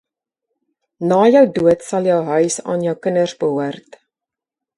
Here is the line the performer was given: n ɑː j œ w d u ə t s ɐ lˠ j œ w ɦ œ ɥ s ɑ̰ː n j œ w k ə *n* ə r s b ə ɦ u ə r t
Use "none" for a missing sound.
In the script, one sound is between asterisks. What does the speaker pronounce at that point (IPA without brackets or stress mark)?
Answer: n